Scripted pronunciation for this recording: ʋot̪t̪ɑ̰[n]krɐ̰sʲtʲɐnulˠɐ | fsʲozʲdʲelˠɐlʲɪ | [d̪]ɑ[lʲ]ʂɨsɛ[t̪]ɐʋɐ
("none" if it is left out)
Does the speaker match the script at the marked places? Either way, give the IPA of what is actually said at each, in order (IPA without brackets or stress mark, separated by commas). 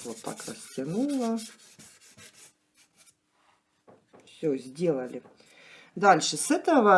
none, d̪, lʲ, t̪